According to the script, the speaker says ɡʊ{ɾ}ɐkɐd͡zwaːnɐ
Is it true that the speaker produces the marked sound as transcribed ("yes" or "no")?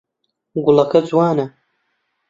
no